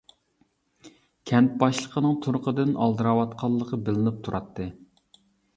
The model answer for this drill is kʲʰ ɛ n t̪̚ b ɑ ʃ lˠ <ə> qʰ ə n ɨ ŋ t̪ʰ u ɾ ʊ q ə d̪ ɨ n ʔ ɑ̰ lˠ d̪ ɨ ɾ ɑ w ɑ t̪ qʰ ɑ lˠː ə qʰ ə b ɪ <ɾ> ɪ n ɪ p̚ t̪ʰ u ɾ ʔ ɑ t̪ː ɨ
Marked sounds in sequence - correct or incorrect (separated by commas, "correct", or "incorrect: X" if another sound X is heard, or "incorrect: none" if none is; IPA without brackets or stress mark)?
correct, incorrect: l